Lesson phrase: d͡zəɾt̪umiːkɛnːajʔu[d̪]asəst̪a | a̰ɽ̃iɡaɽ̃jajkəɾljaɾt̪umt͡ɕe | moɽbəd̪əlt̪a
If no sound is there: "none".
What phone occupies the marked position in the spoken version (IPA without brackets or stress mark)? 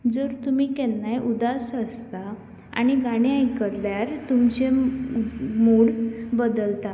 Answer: d̪